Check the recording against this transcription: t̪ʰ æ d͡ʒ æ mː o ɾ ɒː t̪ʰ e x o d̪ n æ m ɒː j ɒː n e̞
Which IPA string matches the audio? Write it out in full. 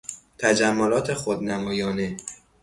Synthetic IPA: t̪ʰ æ d͡ʒ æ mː o l ɒː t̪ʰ e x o d̪ n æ m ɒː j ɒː n e̞